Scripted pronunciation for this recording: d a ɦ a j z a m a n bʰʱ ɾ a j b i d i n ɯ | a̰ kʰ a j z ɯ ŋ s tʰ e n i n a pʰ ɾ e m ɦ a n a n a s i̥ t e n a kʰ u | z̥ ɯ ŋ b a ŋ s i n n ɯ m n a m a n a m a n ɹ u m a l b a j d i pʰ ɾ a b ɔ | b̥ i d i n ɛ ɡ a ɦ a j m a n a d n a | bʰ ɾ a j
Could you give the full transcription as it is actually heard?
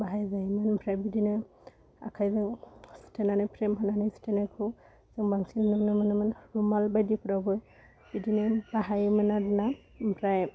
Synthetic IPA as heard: b a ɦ a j z a m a n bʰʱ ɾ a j b i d i n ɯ | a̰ kʰ a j z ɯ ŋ s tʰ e n a n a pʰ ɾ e m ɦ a n a n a s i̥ t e n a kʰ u | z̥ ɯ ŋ b a ŋ s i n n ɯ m n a m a n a m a n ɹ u m a l b a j d i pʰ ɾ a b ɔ | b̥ i d i n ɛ b a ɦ a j m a n a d n a | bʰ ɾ a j